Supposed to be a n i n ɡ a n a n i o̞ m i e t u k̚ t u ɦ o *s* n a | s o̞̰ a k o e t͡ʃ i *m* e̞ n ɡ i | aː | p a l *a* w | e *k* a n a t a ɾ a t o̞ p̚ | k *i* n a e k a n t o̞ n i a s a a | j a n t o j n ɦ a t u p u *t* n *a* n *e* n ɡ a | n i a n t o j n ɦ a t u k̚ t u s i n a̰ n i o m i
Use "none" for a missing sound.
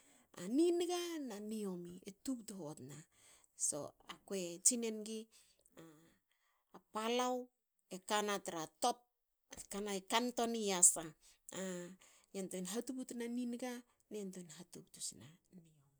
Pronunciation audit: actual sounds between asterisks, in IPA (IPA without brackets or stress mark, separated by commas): t, n, a, k, a, t, a, i